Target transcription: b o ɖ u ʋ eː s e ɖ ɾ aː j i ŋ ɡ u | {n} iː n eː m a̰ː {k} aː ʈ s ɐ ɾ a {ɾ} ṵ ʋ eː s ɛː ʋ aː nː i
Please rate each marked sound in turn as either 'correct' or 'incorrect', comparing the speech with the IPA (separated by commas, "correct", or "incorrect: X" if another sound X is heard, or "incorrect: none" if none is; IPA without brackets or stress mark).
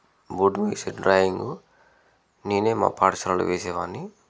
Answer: correct, incorrect: p, incorrect: l